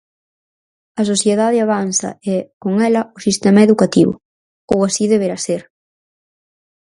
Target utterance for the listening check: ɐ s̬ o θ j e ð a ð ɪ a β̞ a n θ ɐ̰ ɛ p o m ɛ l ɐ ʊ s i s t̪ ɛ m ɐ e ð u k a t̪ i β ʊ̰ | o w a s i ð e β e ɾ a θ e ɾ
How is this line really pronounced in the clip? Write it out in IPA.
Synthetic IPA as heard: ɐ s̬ o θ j e ð a ð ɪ a β̞ a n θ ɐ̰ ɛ k o ŋ ɛ l ɐ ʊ s i s t̪ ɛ m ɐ e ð u k a t̪ i β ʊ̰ | o w a s i ð e β e ɾ a s e ɾ